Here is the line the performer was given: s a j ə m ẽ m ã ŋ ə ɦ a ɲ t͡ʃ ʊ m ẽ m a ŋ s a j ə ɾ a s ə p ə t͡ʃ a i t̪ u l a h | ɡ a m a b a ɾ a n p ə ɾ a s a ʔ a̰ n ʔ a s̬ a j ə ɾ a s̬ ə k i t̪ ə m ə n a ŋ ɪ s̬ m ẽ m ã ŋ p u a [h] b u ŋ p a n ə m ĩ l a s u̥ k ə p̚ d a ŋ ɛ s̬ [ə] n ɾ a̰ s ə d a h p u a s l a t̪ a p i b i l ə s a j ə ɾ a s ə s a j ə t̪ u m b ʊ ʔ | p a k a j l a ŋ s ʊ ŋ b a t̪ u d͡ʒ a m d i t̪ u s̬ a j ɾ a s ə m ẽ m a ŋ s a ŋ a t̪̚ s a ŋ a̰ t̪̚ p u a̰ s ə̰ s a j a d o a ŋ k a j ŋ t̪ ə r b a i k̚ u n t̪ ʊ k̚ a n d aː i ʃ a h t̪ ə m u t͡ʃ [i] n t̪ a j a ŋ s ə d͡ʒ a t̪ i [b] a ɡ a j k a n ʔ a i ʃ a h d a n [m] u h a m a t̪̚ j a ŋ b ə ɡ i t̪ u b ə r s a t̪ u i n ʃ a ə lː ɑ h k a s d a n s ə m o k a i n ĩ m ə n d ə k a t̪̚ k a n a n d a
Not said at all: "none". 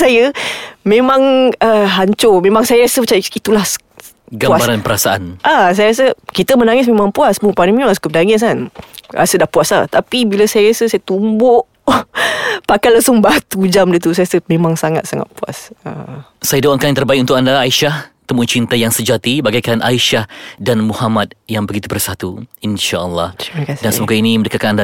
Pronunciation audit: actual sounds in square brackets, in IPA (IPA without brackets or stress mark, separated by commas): s, a, i, b, m